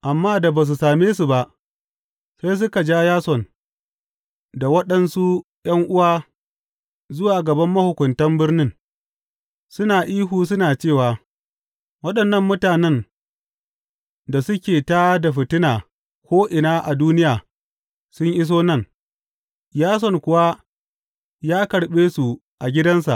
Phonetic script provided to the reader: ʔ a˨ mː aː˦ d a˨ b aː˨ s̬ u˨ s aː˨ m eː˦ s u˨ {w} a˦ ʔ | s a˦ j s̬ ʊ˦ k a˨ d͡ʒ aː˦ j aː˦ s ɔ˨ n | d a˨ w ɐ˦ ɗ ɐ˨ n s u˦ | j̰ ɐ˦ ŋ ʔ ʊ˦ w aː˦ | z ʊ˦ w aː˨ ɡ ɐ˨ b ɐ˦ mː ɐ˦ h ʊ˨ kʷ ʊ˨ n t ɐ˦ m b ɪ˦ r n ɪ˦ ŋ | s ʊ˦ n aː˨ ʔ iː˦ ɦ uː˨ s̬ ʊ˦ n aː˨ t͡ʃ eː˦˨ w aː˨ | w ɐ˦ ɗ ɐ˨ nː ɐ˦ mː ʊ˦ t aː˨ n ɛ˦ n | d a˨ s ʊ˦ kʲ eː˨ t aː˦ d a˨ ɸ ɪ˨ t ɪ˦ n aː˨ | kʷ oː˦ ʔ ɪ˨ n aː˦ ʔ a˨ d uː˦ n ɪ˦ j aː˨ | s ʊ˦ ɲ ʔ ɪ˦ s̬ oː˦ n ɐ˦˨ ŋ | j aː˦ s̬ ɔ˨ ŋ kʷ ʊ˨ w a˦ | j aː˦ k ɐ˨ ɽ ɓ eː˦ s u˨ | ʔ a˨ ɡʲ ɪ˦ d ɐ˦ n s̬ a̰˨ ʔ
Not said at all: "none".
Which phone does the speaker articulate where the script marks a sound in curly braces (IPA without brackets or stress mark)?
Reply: b